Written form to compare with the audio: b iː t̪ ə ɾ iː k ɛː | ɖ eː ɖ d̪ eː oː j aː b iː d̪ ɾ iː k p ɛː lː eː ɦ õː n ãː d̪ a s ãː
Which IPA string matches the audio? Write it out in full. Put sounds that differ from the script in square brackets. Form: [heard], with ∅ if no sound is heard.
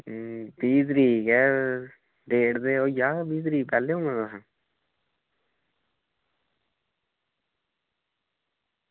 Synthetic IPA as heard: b iː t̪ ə ɾ iː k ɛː | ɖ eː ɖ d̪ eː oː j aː b iː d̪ ɾ iː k p ɛː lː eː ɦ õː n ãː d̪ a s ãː